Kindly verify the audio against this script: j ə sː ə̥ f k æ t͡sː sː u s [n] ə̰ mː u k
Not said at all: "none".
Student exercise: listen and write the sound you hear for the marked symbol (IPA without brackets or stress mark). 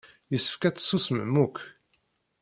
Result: m